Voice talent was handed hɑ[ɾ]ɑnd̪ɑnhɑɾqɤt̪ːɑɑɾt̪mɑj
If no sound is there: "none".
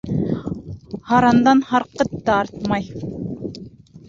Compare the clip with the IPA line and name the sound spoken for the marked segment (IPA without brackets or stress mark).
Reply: ɾ